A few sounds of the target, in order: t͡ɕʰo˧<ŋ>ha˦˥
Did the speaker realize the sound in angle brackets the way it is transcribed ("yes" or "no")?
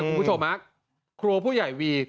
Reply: no